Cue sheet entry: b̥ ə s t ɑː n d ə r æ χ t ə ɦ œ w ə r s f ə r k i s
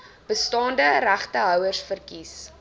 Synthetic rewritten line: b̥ ə s t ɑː n d ə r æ χ t ə ɦ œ w ə r s f ə r k i s